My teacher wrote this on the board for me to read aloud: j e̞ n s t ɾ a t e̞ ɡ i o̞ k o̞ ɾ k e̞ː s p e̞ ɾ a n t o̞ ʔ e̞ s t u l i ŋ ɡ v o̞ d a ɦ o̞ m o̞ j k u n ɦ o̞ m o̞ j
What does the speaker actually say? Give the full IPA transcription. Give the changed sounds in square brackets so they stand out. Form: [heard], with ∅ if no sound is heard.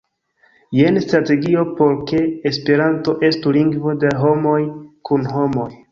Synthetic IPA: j e̞ n s t ɾ a t e̞ ɡ i o̞ [p] o̞ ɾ k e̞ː s p e̞ ɾ a n t o̞ ʔ e̞ s t u l i ŋ ɡ v o̞ d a ɦ o̞ m o̞ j k u n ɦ o̞ m o̞ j